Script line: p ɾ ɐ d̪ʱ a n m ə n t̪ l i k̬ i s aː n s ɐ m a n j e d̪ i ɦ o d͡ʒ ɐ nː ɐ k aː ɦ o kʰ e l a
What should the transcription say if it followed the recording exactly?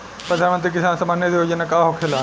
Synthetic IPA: p ɾ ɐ d̪ʱ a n m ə n t̪ ɾ i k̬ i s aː n s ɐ m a n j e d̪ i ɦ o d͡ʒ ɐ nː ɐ k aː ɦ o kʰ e l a